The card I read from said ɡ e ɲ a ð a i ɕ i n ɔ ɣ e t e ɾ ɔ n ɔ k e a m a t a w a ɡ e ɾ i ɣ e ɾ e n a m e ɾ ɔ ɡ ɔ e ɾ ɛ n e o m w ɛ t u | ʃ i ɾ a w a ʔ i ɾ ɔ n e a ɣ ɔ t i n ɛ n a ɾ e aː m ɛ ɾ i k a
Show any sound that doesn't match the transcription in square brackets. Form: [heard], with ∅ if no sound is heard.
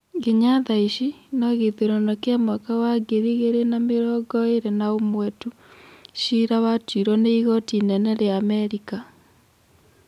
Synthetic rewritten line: ɡ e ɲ a ð a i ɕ i n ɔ ɣ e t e ɾ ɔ n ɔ k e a m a [k] a w a ɡ e ɾ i ɣ e ɾ e n a m e ɾ ɔ ɡ ɔ e ɾ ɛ n [a] o m w ɛ t u | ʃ i ɾ a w a [t] i ɾ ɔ n e [i] ɣ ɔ t i n ɛ n [ɛ] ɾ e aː m ɛ ɾ i k a